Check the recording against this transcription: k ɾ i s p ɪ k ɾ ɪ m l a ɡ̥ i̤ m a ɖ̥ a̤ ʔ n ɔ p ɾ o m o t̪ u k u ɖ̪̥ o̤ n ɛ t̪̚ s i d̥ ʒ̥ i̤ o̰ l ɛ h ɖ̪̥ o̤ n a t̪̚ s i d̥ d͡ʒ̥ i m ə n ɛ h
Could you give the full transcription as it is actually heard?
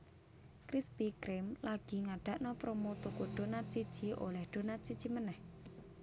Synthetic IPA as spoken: k ɾ i s p i k ɾ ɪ m l a ɡ̥ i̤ ŋ a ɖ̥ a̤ ʔ n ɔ p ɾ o m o t̪ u k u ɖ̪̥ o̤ n a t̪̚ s i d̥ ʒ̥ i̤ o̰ l ɛ h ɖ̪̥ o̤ n a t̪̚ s i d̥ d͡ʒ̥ i m ə n ɛ h

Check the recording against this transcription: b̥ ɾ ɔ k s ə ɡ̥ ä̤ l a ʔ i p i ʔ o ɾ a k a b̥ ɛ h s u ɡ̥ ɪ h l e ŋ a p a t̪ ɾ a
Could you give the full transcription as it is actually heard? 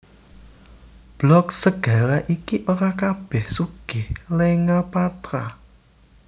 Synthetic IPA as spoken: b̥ l ɔ k s ə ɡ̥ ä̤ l a ʔ i k i ʔ o ɾ a k a b̥ ɛ h s u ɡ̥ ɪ h l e ŋ a p a t̪ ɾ a

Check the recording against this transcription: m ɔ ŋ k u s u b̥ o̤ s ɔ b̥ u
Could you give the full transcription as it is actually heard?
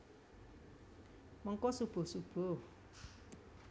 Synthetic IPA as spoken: m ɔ ŋ k ɔ s u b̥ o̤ s u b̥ o

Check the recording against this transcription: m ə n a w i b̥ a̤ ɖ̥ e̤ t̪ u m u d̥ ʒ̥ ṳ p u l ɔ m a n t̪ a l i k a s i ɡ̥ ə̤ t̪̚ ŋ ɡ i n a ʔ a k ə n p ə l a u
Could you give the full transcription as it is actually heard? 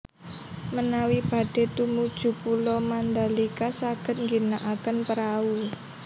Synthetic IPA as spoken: m ə n a w i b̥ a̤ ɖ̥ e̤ t̪ u m u d̥ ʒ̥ ṳ p u l ɔ m a n d̪ a l i k a s a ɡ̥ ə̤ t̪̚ ŋ ɡ i n a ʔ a k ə n p ə ɾ a u

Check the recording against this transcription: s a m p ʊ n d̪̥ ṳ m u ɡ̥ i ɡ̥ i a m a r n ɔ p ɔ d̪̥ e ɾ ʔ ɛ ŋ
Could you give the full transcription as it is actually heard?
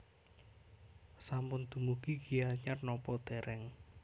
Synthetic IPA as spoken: s a m p ʊ n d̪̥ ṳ m u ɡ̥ i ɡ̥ i a ɲ a r n ɔ p ɔ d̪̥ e ɾ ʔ ɛ ŋ

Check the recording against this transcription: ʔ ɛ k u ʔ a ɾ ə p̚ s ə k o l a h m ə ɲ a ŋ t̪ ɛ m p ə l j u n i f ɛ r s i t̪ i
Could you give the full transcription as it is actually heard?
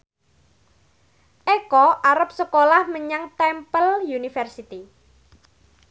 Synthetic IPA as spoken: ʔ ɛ k ɔ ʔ a ɾ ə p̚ s ə k o l a h m ə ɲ a ŋ t̪ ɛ m p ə l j u n i f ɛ r s i t̪ i

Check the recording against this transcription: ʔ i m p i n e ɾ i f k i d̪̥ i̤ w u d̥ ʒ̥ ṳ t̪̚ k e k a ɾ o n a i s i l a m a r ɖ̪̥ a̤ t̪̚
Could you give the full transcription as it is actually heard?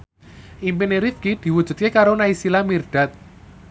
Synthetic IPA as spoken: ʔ i m p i n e ɾ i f k i d̪̥ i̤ w u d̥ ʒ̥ ṳ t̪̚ k e k a ɾ o n a i s i l a m i r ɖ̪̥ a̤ t̪̚

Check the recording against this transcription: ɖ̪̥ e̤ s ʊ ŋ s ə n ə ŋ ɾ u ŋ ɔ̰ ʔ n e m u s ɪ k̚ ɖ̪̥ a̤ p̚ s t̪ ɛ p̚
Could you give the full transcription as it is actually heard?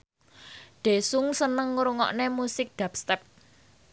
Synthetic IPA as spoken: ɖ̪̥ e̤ s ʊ ŋ s ə n ə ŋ ɾ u ŋ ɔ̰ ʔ n e m u s ɪ k̚ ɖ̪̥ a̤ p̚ s t̪ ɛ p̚

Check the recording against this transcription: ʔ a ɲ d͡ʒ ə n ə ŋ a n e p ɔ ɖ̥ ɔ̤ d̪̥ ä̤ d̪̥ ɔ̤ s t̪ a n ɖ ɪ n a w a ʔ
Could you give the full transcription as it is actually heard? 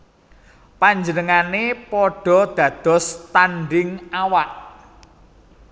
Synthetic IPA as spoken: p a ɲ d͡ʒ ə n ə ŋ a n e p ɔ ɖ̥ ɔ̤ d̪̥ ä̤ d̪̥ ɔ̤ s t̪ a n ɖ ɪ ŋ a w a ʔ

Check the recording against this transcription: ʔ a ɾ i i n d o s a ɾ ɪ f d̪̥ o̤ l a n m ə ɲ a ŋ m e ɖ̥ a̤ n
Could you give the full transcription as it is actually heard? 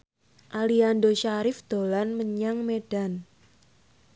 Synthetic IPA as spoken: ʔ a l i a n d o ʃ a ɾ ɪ f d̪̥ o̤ l a n m ə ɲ a ŋ m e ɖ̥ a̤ n

